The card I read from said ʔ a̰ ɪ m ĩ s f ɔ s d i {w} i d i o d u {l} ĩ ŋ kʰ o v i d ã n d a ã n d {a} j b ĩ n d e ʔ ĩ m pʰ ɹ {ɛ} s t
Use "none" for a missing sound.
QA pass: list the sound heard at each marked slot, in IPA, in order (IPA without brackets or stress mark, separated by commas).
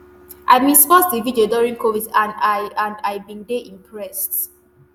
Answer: v, ɹ, a, ɛ